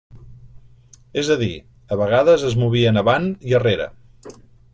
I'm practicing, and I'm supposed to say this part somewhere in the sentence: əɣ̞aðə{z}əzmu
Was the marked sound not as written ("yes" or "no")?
no